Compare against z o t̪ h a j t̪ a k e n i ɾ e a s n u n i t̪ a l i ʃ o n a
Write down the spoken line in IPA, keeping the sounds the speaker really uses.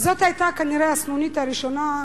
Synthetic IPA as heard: z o t̪ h a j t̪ a k a n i ɾ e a s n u n i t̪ a ɾ i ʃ o n a